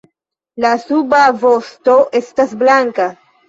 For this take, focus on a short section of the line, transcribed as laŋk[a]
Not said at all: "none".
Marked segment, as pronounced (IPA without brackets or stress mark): a